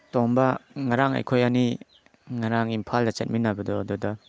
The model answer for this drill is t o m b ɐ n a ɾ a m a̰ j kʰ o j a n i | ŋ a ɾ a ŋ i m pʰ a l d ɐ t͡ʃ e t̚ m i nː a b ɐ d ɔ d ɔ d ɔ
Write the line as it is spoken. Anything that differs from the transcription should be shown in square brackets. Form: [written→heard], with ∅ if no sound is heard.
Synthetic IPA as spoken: t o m b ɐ [n→ŋ] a ɾ a [m→ŋ] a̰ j kʰ o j a n i | ŋ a ɾ a ŋ i m pʰ a l d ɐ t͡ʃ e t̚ m i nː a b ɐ d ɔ d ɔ d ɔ